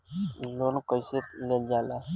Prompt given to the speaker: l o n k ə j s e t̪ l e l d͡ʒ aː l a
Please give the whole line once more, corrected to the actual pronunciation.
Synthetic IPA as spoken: l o n k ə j s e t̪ l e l d͡ʒ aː l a